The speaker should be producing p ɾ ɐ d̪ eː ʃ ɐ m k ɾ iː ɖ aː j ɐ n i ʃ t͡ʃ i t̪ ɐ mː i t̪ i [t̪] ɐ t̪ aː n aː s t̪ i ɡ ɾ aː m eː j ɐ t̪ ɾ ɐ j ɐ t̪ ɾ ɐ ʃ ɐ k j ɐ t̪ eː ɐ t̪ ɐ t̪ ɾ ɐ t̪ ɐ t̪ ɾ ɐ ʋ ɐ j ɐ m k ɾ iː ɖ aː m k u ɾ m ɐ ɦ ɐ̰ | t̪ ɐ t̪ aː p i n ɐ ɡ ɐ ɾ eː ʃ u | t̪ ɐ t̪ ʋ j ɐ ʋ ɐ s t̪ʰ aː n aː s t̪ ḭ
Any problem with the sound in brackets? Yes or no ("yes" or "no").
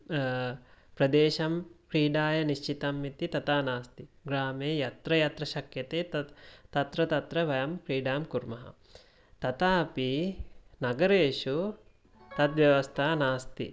no